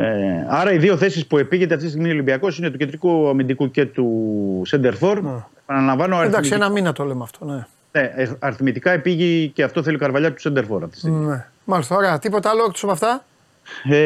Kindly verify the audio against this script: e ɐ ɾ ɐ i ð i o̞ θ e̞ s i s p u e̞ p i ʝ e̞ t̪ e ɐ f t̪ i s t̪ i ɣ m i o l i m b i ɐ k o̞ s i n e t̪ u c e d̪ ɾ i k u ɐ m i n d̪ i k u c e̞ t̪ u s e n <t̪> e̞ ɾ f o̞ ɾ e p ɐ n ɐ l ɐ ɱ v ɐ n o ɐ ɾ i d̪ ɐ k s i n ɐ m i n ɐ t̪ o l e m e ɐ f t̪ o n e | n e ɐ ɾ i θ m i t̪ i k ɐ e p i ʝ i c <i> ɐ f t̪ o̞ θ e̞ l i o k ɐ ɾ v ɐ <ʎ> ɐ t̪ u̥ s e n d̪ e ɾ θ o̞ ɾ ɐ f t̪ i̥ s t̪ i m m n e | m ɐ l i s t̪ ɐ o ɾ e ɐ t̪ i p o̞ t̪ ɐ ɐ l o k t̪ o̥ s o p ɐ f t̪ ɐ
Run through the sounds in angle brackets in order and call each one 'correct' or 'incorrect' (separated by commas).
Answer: incorrect, incorrect, correct